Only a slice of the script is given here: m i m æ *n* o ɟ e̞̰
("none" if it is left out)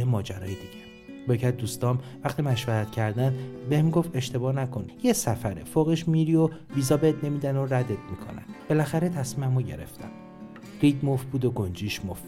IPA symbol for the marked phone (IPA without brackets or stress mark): m